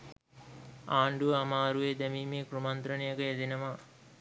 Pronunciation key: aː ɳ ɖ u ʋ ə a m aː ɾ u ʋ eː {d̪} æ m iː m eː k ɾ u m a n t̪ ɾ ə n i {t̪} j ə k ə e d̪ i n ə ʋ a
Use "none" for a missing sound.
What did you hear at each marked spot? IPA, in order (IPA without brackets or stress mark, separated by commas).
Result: d̪, none